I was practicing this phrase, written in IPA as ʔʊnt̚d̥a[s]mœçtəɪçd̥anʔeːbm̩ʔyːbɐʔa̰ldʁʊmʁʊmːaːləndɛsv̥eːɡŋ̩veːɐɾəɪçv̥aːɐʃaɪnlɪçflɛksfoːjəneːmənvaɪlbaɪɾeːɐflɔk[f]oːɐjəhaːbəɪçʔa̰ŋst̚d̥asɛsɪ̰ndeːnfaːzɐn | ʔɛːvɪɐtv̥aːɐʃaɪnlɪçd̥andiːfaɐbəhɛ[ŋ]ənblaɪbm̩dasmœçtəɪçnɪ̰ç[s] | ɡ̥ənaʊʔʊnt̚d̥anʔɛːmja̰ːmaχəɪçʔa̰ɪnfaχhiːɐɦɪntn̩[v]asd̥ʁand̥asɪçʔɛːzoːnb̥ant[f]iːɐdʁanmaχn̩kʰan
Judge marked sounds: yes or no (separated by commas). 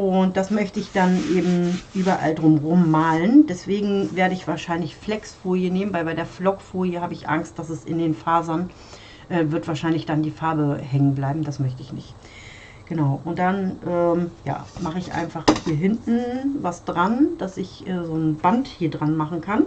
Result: yes, yes, yes, no, yes, no